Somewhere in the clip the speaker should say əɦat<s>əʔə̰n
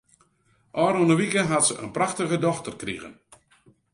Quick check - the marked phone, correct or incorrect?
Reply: correct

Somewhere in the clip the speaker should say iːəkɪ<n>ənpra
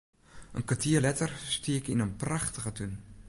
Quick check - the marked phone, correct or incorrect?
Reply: correct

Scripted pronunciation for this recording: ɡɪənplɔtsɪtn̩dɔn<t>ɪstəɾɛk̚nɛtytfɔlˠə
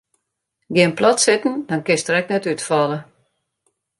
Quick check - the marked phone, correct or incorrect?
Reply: incorrect: k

